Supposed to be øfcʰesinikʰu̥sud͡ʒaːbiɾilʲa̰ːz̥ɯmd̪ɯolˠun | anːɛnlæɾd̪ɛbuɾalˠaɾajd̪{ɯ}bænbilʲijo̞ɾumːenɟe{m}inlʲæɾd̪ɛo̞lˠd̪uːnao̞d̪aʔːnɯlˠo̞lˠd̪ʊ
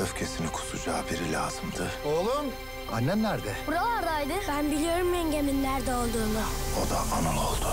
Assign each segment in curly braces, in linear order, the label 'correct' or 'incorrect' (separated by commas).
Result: correct, correct